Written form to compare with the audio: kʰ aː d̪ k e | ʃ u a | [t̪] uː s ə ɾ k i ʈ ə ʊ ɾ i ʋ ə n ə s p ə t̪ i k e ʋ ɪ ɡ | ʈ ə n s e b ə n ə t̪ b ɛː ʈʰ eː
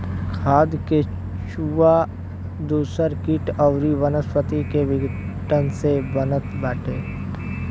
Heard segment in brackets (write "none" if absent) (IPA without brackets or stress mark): d̪